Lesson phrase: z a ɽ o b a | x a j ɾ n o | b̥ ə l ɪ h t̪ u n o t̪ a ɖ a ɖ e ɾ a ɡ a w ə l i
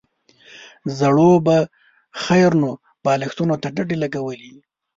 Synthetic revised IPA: z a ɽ o b a | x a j ɾ n o | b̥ ɑ l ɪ x t̪ u n o t̪ a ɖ a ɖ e l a ɡ a w ə l i